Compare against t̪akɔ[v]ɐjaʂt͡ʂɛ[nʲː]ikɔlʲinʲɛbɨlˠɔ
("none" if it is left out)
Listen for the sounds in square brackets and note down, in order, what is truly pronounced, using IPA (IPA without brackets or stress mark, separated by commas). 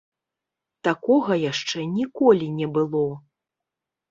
ɣ, nʲ